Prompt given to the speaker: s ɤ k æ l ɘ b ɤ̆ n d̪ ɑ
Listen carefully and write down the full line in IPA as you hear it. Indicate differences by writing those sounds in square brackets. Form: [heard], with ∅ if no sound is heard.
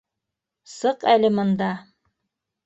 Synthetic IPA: s ɤ [q] æ l ɘ [m] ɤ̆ n d̪ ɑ